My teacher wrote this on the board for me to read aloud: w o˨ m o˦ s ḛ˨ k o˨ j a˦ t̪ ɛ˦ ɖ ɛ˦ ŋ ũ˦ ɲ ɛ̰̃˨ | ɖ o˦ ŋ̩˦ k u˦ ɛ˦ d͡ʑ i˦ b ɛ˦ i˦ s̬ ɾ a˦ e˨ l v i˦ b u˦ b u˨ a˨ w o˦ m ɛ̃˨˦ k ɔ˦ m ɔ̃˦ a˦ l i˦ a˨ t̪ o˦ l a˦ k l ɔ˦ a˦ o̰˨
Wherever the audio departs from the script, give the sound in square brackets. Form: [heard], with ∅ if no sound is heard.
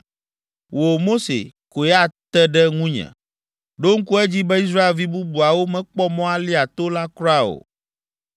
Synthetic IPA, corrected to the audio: w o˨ m o˦ s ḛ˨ k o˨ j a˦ t̪ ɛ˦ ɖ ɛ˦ ŋ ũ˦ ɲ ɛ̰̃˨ | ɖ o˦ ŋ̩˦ k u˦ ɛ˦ d͡ʑ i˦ b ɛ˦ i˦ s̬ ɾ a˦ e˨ l v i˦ b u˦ b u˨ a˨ w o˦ m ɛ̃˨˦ [k͡p] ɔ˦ m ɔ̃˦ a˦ l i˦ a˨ t̪ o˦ l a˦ k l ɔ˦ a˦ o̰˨